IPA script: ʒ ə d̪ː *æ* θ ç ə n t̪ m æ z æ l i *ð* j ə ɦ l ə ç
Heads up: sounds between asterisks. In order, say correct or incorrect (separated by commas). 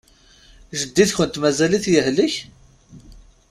incorrect, incorrect